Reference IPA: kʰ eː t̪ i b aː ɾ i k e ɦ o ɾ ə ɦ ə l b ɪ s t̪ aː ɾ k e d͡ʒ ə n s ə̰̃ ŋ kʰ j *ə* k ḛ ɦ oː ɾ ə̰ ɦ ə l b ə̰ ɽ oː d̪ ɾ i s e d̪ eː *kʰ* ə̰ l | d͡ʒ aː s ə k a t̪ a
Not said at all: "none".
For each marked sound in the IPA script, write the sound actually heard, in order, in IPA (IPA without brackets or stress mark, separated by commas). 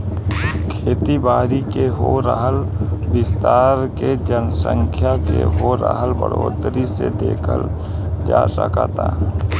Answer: a, kʰ